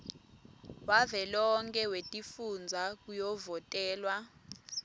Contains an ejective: yes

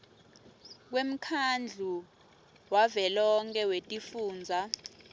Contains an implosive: no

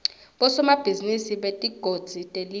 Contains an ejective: yes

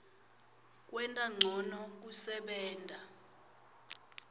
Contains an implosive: yes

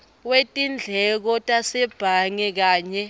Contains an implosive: no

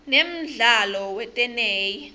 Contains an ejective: yes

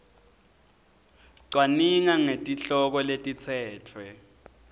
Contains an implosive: no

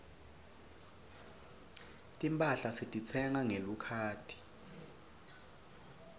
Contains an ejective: yes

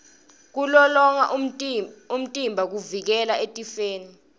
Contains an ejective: yes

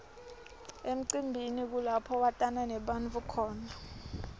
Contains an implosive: yes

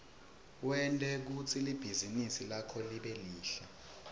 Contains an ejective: yes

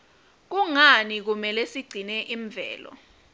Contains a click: yes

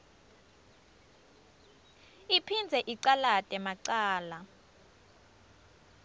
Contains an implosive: no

